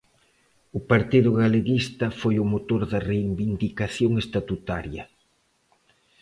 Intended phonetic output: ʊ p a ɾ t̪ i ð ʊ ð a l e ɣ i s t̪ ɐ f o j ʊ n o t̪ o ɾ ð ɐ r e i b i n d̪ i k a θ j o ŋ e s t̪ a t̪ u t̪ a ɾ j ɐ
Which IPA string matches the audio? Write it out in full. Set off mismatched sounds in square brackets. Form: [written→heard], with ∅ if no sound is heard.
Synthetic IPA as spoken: ʊ p a ɾ t̪ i ð ʊ [ð→ɣ] a l e ɣ i s t̪ ɐ f o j ʊ [n→m] o t̪ o ɾ ð ɐ r e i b i n d̪ i k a θ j o ŋ e s t̪ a t̪ u t̪ a ɾ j ɐ